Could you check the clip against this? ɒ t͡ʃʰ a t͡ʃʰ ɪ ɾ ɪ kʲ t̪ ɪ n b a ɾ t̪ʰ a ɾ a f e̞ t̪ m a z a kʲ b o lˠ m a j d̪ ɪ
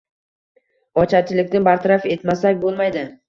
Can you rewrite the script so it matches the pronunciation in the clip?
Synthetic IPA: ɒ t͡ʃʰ a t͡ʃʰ ɪ l ɪ kʲ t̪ ɪ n b a ɾ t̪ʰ a ɾ a f e̞ t̪ m a s a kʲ b o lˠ m a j d̪ ɪ

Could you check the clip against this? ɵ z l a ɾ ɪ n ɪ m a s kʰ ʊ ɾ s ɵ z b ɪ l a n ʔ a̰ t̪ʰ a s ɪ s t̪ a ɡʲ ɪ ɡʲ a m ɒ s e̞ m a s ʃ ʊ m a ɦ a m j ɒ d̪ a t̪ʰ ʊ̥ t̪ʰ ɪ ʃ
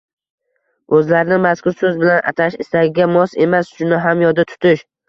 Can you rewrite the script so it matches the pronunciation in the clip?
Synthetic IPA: ɵ z l a ɾ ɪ n ɪ m a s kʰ ʊ ɾ s ɵ z b ɪ l a n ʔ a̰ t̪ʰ a ʃ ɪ s t̪ a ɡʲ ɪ ɡʲ a m ɒ s e̞ m a s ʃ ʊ n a ɦ a m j ɒ d̪ a t̪ʰ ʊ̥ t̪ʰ ɪ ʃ

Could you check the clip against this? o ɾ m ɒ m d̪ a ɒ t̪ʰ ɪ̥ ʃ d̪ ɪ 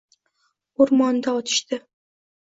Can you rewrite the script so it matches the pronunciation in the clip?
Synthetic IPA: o ɾ m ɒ n d̪ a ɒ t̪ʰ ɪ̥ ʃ t̪ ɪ

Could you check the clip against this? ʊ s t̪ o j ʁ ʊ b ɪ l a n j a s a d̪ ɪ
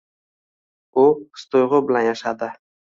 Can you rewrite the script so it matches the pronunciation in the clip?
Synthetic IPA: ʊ s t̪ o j ʁ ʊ b ɪ l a n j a ʃ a d̪ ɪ

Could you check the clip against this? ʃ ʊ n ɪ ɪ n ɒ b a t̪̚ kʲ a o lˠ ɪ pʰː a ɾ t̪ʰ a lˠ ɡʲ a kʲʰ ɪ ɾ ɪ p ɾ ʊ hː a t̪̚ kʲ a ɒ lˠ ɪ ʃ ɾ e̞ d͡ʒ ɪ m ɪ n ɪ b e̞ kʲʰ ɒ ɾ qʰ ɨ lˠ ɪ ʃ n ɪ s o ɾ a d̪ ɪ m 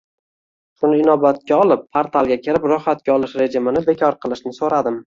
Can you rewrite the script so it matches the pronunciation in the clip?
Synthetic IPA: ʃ ʊ n ɪ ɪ n ɒ b a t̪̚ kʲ a ɒ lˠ ɪ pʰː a ɾ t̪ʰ a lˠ ɡʲ a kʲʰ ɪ ɾ ɪ p ɾ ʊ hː a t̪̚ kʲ a ɒ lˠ ɪ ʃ ɾ e̞ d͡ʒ ɪ m ɪ n ɪ b e̞ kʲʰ ɒ ɾ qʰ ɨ lˠ ɪ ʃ n ɪ s o ɾ a d̪ ɪ m

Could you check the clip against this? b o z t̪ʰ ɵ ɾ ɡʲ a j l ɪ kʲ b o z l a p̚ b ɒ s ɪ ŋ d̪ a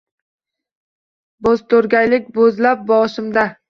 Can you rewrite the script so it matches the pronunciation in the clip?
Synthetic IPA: b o z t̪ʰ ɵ ɾ ɡʲ a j l ɪ kʲ b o z l a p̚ b ɒ ʃ ɪ m d̪ a

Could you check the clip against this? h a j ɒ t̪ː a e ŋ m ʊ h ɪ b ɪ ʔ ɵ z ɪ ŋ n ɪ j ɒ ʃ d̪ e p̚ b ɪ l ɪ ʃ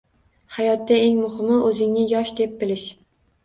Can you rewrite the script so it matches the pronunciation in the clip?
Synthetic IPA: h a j ɒ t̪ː a e ŋ m ʊ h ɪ m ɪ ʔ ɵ z ɪ ŋ n ɪ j ɒ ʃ d̪ e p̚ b ɪ l ɪ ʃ

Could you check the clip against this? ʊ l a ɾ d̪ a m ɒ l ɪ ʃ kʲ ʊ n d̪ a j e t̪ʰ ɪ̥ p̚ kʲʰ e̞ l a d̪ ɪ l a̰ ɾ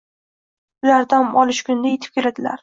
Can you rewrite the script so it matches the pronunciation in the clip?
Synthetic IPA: ʊ l a ɾ d̪ a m ɒ l ɪ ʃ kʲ ʊ n d̪ a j e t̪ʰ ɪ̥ p̚ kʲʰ e̞ l a d̪ ɪ l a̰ ɾ

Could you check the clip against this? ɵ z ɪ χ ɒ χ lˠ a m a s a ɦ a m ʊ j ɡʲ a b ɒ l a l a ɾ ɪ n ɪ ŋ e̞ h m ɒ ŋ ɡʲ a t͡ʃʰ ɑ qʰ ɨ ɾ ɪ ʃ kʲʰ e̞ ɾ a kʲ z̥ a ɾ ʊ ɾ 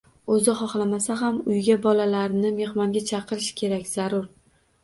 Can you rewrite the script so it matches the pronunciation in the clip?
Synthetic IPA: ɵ z ɪ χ ɒ χ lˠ a m a s a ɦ a m ʊ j ɡʲ a b ɒ l a l a ɾ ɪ n ɪ m e̞ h m ɒ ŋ ɡʲ a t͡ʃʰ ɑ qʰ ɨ ɾ ɪ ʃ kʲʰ e̞ ɾ a kʲ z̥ a ɾ ʊ ɾ

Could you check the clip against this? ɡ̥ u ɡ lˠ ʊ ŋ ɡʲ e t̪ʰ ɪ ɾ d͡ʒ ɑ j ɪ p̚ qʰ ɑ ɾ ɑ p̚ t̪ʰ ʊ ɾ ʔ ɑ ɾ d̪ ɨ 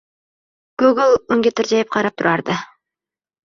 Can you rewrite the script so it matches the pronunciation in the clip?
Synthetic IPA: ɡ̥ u ɡ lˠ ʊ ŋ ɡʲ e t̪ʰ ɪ ɾ d͡ʒ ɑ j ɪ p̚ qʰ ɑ ɾ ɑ p̚ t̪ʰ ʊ ɾ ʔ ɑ ɾ d̪ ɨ

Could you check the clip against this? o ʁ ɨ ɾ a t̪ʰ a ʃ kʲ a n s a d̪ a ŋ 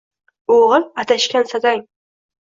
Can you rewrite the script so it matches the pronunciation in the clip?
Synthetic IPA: o ʁ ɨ l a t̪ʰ a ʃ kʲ a n s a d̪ a ŋ

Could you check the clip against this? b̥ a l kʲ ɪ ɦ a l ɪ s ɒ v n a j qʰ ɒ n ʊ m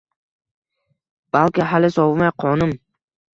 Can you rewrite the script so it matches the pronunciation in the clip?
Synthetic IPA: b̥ a l kʲ ɪ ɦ a l ɪ s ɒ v m a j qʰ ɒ n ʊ m

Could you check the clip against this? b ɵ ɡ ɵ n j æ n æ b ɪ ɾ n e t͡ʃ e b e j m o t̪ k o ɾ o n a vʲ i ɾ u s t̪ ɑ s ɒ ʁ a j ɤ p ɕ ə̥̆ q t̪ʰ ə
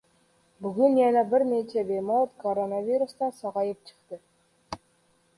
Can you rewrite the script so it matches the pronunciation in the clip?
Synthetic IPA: b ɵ ɡ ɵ n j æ n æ b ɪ ɾ n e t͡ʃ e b e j m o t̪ k o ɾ o n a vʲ i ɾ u s t̪ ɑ s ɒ ʁ ɑ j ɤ p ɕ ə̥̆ q t̪ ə

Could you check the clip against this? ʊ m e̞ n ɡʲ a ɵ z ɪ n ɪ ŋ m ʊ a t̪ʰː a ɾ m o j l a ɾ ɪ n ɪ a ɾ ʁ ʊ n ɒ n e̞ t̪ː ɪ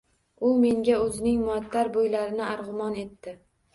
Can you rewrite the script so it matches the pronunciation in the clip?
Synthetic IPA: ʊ m e̞ ŋ ɡʲ a ɵ z ɪ n ɪ ŋ m ʊ a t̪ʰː a ɾ b o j l a ɾ ɪ n ɪ a ɾ ʁ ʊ m ɒ n e̞ t̪ː ɪ

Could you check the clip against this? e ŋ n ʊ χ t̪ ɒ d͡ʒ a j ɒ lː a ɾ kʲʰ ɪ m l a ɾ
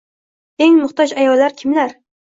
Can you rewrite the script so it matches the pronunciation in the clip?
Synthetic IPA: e ŋ m ʊ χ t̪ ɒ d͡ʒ a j ɒ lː a ɾ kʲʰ ɪ m l a ɾ

